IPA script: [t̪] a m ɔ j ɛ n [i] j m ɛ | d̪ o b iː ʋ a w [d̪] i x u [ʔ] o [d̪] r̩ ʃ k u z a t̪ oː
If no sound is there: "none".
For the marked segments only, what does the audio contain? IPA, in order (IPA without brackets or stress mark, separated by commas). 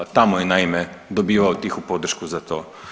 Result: t̪, a, t̪, p, d̪